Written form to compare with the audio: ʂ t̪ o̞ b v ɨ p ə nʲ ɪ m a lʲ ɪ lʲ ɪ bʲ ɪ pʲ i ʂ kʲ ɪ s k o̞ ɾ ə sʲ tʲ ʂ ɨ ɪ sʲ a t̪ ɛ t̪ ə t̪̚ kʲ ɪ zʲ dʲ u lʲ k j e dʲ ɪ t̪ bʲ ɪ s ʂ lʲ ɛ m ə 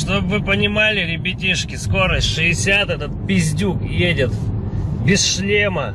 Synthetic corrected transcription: ʂ t̪ o̞ b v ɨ p ə nʲ ɪ m a lʲ ɪ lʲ ɪ bʲ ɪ tʲ i ʂ kʲ ɪ s k o̞ ɾ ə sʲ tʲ ʂ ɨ ɪ sʲ a t̪ ɛ t̪ ə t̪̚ pʲ ɪ zʲ dʲ u k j e dʲ ɪ t̪ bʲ ɪ s ʂ lʲ e m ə